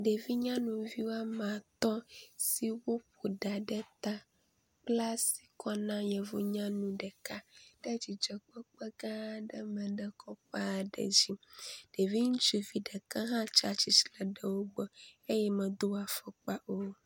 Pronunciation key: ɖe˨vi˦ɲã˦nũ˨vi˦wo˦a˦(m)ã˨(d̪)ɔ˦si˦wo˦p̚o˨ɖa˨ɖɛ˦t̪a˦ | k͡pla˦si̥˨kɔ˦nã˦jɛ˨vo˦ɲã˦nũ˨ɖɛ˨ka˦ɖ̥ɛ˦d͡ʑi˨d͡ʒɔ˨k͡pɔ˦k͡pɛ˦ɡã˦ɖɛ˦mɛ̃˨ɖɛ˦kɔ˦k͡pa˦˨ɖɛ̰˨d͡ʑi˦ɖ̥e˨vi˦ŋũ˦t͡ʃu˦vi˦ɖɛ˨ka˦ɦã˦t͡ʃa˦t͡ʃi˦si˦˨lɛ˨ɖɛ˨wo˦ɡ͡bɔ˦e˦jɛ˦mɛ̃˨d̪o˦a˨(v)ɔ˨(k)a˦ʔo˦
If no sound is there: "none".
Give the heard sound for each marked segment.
m, t̪, f, k͡p

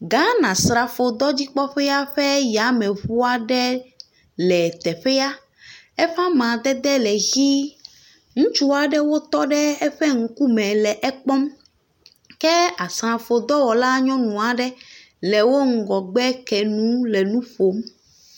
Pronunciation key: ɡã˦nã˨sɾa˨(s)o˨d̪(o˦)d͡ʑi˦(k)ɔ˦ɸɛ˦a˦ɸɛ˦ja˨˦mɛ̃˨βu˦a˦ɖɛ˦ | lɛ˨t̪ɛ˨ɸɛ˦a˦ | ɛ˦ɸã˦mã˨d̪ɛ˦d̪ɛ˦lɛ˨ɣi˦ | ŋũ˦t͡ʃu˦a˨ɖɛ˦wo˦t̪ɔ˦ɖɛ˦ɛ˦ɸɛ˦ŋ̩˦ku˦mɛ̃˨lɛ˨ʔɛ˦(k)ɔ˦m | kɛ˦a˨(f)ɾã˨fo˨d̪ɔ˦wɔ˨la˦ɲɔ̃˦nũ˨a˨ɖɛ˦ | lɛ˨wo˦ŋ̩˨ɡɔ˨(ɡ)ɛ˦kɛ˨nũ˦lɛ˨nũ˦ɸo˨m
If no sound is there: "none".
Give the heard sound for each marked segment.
f, ɔ˦, k͡p, k͡p, s, ɡ͡b

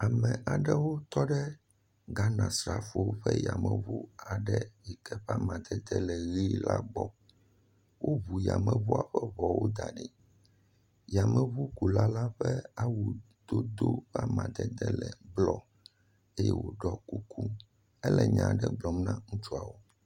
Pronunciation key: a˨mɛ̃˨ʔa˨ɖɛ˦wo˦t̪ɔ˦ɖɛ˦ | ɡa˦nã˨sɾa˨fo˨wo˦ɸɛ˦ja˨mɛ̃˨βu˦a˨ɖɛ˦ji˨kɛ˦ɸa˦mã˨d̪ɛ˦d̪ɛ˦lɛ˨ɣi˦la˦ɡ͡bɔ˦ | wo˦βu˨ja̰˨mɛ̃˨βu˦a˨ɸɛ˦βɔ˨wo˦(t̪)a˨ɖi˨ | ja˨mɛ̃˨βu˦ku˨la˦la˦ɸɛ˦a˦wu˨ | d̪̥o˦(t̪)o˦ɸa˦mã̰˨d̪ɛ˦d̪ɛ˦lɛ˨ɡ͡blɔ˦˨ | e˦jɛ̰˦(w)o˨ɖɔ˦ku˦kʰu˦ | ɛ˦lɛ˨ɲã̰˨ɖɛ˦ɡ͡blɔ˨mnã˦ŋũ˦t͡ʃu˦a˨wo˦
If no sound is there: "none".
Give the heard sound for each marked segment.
d̪, d̪, w

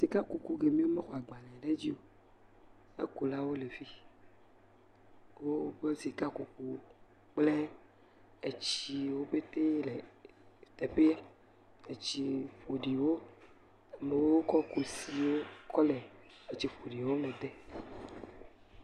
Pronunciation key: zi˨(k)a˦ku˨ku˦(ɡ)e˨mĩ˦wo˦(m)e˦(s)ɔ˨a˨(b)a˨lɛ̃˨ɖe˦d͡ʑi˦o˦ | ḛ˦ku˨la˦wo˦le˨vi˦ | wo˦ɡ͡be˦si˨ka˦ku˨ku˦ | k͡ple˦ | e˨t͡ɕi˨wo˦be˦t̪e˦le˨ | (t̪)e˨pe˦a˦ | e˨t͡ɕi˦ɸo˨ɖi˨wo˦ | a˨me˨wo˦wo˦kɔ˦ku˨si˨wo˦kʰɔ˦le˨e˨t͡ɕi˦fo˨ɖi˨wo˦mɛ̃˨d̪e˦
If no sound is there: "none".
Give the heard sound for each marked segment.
k, ɡ, m, x, ɡ͡b, t̪

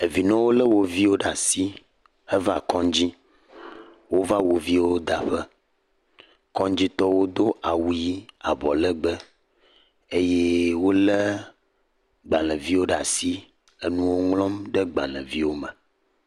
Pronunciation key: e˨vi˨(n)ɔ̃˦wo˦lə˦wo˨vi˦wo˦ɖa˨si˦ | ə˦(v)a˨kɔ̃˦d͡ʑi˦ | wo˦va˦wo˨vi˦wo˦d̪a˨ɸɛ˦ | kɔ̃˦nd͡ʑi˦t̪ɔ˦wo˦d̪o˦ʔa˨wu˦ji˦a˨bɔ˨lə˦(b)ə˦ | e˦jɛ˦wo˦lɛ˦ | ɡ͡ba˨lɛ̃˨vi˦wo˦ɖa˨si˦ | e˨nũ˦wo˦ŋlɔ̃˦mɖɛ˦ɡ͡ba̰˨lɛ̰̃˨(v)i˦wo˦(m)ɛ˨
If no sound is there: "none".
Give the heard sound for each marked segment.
n, v, ɡ͡b, v, m

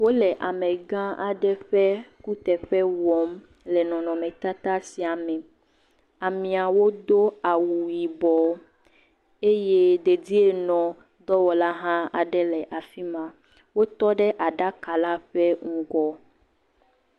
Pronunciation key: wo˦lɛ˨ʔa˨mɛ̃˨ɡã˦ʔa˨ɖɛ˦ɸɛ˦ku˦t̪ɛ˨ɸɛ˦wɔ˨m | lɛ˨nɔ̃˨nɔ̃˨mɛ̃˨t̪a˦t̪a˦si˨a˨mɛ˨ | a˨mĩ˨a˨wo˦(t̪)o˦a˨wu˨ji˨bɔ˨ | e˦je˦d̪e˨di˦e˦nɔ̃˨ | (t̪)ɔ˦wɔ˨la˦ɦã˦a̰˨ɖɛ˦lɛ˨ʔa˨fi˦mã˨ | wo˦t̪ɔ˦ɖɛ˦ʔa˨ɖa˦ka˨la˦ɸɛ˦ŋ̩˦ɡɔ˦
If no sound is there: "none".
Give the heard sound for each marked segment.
d̪, d̪

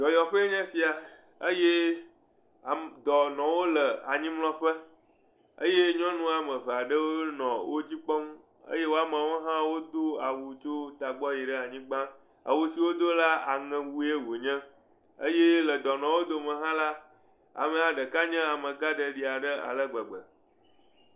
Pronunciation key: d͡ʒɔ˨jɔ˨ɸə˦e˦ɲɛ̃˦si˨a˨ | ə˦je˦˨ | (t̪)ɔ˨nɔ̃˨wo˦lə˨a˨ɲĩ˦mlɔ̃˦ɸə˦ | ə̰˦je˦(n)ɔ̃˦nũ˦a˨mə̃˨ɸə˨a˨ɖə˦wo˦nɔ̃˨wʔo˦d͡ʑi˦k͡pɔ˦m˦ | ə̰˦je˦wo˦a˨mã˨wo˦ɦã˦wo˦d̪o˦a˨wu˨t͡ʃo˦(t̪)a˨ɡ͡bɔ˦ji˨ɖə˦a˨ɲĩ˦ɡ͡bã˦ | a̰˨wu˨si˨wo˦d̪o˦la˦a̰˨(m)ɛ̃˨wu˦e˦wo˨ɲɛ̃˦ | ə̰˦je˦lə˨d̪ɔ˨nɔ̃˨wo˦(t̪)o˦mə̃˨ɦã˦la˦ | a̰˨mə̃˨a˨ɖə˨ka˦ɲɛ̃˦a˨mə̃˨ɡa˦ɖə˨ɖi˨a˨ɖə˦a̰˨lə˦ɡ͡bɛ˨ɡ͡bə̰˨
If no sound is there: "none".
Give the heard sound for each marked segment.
d̪, ɲ, t̪, ŋ, d̪

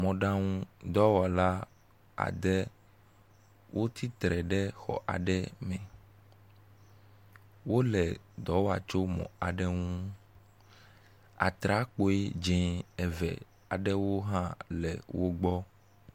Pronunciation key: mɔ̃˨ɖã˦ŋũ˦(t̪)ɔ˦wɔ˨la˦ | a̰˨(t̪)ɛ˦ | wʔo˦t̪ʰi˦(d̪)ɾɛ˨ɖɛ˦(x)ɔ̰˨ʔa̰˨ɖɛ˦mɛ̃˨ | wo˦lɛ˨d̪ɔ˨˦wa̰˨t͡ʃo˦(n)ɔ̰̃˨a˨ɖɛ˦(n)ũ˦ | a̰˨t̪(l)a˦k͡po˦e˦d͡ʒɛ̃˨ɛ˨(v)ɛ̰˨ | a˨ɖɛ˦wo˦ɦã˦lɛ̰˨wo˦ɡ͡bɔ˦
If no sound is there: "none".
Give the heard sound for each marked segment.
d̪, d̪, t̪, x, m, ŋ, ɾ, v

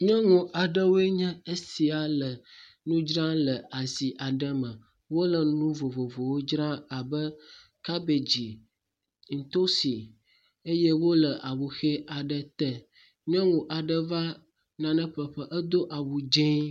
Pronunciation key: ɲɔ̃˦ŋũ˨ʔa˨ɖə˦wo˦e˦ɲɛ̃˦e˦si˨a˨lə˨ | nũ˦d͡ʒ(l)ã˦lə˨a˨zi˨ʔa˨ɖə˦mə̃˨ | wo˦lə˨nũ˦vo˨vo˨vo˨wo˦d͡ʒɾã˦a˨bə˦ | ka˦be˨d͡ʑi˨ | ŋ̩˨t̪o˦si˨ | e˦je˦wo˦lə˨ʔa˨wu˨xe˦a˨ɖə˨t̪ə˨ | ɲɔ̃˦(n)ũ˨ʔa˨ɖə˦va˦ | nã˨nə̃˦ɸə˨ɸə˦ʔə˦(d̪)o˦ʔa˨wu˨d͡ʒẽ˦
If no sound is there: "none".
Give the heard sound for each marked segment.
ɾ, ŋ, d̪

